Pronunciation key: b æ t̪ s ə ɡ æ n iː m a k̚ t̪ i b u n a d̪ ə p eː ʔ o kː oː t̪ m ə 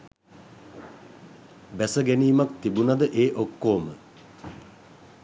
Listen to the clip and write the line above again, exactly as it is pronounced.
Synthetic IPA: b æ s ə ɡ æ n iː m a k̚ t̪ i b u n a d̪ ə ʔ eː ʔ o kː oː m ə